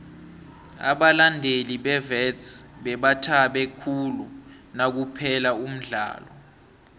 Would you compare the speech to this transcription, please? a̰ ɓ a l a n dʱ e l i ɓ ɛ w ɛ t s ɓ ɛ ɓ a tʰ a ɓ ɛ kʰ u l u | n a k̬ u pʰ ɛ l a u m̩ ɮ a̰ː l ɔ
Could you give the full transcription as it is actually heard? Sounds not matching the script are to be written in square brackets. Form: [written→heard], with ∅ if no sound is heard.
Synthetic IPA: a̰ ɓ a l a n dʱ e l i ɓ ɛ [w→v] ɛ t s ɓ ɛ ɓ a tʰ a ɓ ɛ kʰ u l u | n a k̬ u pʰ ɛ l a u m̩ ɮ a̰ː l ɔ